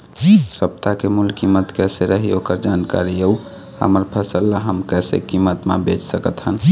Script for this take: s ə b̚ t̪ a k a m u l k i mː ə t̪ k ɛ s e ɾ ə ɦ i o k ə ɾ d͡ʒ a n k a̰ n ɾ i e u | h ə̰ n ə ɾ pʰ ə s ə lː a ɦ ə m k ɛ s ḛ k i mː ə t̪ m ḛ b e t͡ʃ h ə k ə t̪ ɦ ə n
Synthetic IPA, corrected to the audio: s ə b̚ t̪ a k e m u l k i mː ə t̪ k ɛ s e ɾ ə ɦ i o k ə ɾ d͡ʒ a n k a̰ ɾ i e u | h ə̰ m ə ɾ pʰ ə s ə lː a ɦ ə m k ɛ s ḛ k i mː ə t̪ m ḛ b e t͡ʃ s ə k ə t̪ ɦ ə n